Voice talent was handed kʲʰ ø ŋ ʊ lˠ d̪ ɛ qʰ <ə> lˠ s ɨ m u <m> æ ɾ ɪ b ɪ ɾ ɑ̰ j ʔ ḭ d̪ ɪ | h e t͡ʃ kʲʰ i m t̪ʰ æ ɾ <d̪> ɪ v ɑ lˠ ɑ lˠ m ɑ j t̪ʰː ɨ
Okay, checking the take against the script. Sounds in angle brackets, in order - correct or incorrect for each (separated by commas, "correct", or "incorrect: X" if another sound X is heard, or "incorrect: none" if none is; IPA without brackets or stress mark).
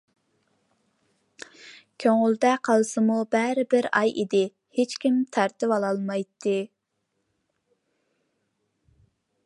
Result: incorrect: ɑ, incorrect: b, incorrect: t̪